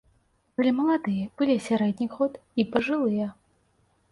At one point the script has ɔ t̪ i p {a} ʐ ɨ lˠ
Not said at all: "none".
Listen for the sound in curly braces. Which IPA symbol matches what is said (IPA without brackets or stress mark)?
ɐ